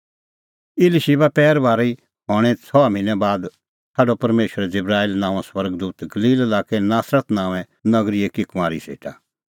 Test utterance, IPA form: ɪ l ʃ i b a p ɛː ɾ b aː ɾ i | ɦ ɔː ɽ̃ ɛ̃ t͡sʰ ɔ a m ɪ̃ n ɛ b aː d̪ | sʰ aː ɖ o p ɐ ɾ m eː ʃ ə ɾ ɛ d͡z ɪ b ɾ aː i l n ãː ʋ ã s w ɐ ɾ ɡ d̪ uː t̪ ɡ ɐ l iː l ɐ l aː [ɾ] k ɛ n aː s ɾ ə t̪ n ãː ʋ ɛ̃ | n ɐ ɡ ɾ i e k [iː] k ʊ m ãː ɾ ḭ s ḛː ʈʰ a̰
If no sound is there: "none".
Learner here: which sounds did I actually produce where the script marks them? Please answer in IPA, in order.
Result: none, i

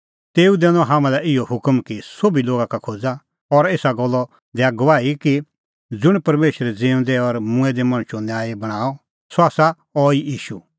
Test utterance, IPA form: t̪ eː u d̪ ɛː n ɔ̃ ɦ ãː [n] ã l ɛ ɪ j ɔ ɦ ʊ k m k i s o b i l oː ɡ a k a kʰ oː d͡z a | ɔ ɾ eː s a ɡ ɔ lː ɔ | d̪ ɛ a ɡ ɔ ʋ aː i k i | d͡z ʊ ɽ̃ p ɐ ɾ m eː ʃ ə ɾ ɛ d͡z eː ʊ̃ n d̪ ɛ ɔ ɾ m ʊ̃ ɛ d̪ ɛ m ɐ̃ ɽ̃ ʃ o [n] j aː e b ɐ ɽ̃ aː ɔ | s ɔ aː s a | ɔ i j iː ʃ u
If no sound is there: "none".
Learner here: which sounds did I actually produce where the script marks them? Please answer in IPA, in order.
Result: m, n

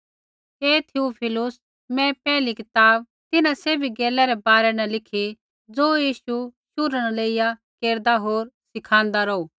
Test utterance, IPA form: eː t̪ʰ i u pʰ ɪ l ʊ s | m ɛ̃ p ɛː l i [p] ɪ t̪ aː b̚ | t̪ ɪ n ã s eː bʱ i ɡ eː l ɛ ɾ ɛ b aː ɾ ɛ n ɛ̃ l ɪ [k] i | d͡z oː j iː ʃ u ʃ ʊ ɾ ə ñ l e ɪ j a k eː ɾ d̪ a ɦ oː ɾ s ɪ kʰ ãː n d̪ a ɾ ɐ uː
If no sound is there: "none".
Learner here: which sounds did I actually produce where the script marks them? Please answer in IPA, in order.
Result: k, kʰ

